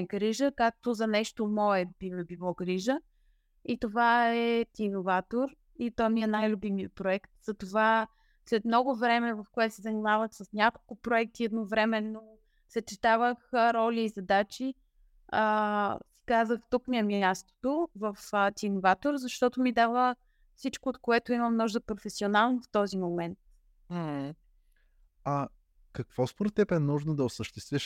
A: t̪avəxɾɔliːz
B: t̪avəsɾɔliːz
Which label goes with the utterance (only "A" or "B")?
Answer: A